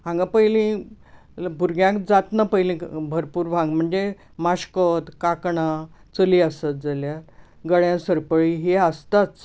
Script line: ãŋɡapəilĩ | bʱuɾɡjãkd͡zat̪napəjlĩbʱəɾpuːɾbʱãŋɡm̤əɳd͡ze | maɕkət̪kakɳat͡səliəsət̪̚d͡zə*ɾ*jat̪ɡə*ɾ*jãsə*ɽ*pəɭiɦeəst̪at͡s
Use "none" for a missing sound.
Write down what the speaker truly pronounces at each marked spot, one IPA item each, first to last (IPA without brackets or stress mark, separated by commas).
l, ɭ, ɾ